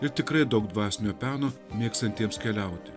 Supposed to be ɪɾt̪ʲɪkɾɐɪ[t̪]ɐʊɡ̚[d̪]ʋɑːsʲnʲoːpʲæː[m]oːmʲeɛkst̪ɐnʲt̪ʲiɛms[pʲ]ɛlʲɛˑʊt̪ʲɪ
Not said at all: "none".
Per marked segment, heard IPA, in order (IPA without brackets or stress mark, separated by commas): d̪, d̪, n, kʲ